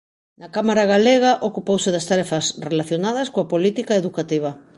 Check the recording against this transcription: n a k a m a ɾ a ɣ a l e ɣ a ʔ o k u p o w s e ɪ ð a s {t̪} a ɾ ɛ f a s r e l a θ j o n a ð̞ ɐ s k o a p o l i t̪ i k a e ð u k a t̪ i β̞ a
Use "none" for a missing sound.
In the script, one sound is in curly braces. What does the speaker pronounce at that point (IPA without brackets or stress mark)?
t̪